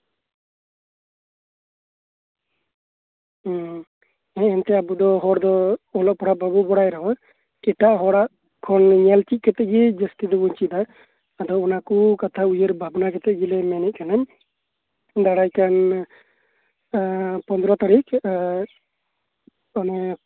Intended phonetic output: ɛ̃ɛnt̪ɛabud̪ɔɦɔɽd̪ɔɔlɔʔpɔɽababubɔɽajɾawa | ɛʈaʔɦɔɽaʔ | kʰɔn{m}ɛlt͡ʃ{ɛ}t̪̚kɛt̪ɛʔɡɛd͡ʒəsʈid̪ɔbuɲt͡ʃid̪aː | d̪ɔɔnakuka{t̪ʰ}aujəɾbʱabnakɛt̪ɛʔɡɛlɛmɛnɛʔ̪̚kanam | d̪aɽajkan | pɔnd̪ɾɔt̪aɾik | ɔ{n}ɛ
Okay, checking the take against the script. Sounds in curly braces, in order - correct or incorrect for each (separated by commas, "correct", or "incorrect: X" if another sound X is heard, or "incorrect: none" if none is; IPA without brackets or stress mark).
incorrect: ɲ, incorrect: i, correct, correct